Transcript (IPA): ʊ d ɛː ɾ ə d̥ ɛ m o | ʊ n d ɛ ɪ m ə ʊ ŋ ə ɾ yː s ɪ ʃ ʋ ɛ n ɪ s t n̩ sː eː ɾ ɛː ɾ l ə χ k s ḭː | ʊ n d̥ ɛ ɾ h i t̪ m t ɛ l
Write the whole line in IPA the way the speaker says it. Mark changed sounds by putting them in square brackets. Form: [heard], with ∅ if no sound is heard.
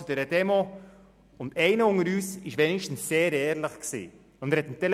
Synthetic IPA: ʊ d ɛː ɾ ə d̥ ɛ m o | ʊ n d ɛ ɪ [n] ə ʊ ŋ ə ɾ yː s ɪ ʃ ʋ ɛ n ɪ [ʃ] t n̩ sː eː ɾ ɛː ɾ l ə χ k s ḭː | ʊ n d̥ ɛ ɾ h [ɛ] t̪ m t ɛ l